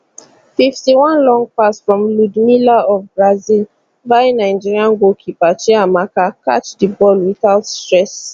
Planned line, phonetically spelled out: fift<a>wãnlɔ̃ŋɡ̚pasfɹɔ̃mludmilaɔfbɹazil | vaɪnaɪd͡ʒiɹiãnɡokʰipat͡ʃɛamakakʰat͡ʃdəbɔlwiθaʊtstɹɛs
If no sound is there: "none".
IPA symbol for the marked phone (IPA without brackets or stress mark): i